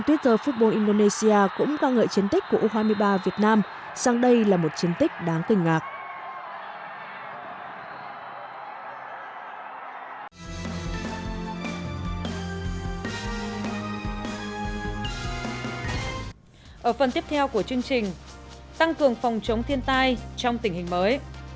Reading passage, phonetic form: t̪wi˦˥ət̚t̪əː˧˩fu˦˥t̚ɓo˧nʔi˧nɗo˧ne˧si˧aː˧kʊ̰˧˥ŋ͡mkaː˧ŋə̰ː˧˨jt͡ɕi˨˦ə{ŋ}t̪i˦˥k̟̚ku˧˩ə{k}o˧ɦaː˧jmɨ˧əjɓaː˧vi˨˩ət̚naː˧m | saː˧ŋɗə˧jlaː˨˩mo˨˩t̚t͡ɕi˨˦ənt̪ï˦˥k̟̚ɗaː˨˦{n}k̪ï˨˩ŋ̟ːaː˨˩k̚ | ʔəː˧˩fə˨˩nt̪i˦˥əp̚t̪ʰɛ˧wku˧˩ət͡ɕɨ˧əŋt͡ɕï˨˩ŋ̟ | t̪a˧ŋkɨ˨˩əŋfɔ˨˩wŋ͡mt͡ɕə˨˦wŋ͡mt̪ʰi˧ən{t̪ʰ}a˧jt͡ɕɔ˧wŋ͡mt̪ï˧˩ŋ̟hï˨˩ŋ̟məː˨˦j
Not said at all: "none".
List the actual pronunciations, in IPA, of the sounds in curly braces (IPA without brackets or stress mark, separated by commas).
n, ʔ, ŋ, t̪